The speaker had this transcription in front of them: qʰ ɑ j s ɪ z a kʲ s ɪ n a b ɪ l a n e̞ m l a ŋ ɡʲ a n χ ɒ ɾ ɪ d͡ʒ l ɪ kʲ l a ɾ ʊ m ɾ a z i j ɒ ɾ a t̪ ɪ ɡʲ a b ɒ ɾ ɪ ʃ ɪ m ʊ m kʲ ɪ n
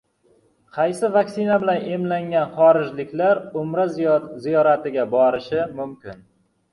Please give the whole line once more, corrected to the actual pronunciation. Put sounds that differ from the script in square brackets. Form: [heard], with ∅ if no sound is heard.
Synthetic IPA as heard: qʰ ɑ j s ɪ [v] a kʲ s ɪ n a b ɪ l a n e̞ m l a ŋ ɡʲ a n χ ɒ ɾ ɪ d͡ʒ l ɪ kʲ l a ɾ ʊ m ɾ a z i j ɒ ɾ a t̪ ɪ ɡʲ a b ɒ ɾ ɪ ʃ ɪ m ʊ m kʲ ɪ n